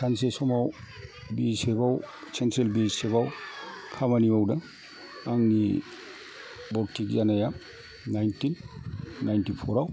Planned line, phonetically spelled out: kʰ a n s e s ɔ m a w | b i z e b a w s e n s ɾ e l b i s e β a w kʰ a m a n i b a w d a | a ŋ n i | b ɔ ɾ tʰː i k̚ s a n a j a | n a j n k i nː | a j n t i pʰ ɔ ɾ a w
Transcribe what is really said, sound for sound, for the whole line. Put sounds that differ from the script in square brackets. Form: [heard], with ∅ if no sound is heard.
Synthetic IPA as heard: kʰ a n s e s ɔ m a w | b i [s] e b a w s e n [t] ɾ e l b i s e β a w kʰ a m a n i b a w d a | a ŋ n i | b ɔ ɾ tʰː i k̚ [z] a n a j a | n a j n [t] i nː | a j n t i pʰ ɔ ɾ a w